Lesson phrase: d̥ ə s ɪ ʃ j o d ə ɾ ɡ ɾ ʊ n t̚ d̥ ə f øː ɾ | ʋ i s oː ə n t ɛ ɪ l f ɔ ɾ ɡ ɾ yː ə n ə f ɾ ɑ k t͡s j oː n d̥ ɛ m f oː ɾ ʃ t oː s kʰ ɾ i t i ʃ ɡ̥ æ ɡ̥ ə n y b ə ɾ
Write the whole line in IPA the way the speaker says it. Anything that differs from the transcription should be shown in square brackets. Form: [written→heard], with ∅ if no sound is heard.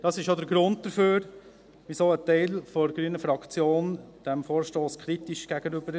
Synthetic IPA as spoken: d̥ [ə→ɑ] s ɪ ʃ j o d ə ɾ ɡ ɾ ʊ n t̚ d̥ ə f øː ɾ | ʋ i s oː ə [n→∅] t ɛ ɪ l f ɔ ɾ ɡ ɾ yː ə n ə f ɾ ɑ k t͡s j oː n d̥ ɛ m f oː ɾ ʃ t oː s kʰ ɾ i t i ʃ ɡ̥ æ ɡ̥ ə n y b ə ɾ

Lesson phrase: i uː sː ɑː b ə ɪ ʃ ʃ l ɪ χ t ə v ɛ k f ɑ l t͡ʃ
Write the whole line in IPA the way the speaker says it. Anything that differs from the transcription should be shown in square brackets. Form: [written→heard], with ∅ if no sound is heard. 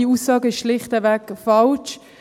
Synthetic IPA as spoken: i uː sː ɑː [b→ɡ] ə ɪ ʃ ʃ l ɪ χ t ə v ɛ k f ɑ l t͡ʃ

